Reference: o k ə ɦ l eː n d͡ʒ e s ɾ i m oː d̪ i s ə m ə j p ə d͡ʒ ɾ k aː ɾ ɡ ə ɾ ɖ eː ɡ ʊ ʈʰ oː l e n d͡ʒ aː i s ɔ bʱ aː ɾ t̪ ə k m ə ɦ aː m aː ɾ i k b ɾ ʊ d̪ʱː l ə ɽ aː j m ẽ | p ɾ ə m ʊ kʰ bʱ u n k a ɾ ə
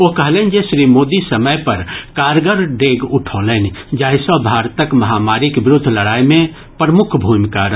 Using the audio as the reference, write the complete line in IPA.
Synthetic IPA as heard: o k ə ɦ l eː n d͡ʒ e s ɾ i m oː d̪ i s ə m ə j p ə ɾ k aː ɾ ɡ ə ɾ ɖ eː ɡ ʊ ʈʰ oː l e n d͡ʒ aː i s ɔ bʱ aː ɾ t̪ ə k m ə ɦ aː m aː ɾ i k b ɾ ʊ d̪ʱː l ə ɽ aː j m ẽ | p ɾ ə m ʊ kʰ bʱ u m k a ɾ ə